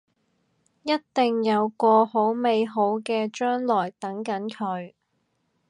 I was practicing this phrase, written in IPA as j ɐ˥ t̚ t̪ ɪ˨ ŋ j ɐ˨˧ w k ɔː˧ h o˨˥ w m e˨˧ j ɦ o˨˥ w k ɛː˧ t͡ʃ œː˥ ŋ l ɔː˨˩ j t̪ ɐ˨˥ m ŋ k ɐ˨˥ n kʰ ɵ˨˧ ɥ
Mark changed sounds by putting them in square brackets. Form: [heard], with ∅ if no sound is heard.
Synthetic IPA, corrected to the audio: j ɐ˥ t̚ t̪ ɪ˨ ŋ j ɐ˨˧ w k ɔː˧ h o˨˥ w m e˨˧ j ɦ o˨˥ w k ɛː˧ t͡ʃ œː˥ ŋ l ɔː˨˩ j t̪ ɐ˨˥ [∅] ŋ k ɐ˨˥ n kʰ ɵ˨˧ ɥ